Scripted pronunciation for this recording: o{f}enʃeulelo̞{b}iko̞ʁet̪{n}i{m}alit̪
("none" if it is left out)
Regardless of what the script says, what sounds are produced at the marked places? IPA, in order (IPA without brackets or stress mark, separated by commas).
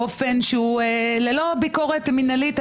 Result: f, b, m, n